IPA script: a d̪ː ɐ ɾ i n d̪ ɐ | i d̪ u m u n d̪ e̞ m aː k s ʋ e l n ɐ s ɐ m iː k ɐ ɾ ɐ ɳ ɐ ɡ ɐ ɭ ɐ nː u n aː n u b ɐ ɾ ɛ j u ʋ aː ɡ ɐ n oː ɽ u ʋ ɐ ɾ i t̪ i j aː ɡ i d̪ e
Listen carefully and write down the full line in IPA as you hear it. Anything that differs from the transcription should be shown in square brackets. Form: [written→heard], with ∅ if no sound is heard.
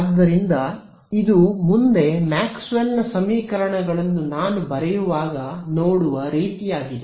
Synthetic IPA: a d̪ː ɐ ɾ i n d̪ ɐ | i d̪ u m u n d̪ e̞ m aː k s ʋ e l n ɐ s ɐ m iː k ɐ ɾ ɐ ɳ ɐ ɡ ɐ ɭ ɐ nː u n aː n u b ɐ ɾ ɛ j u ʋ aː ɡ ɐ n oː ɽ u ʋ ɐ ɾ [i→iː] t̪ i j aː ɡ i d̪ e

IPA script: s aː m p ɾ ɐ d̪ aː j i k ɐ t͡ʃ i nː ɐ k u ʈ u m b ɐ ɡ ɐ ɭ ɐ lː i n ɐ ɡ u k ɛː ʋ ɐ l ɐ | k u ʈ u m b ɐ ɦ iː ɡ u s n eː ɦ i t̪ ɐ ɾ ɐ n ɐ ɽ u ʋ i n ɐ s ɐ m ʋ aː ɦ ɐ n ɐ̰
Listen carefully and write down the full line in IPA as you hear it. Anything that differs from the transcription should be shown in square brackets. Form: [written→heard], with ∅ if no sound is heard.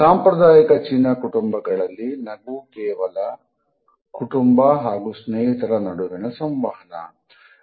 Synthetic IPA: s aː m p ɾ ɐ d̪ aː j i k ɐ t͡ʃ i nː ɐ k u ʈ u m b ɐ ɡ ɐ ɭ ɐ lː i n ɐ ɡ u k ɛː ʋ ɐ l ɐ | k u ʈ u m b ɐ ɦ [iː→aː] ɡ u s n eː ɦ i t̪ ɐ ɾ ɐ n ɐ ɽ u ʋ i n ɐ s ɐ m ʋ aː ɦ ɐ n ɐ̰

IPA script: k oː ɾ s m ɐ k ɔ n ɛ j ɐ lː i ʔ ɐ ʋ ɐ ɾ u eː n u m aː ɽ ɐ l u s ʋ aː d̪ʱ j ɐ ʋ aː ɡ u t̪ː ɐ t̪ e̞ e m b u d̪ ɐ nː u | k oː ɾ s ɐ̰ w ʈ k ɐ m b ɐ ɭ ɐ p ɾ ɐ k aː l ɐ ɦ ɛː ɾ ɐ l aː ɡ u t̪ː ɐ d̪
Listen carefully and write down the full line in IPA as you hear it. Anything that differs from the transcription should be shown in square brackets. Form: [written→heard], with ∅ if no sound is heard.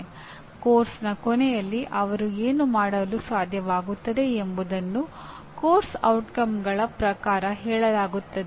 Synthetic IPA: k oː ɾ s [m→n] ɐ k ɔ n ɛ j ɐ lː i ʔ ɐ ʋ ɐ ɾ u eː n u m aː ɽ ɐ l u s ʋ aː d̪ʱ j ɐ ʋ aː ɡ u t̪ː ɐ [t̪→d̪] e̞ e m b u d̪ ɐ nː u | k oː ɾ s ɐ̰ w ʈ k ɐ m [b→ɡ] ɐ ɭ ɐ p ɾ ɐ k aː [l→ɾ] ɐ ɦ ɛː [ɾ→ɭ] ɐ l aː ɡ u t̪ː ɐ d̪

